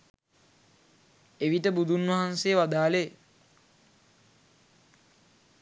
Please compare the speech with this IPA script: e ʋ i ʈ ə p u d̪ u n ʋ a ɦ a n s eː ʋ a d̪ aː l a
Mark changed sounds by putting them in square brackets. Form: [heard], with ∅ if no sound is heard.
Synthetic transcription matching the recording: e ʋ i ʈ ə [b] u d̪ u n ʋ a ɦ a n s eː ʋ a d̪ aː l [e]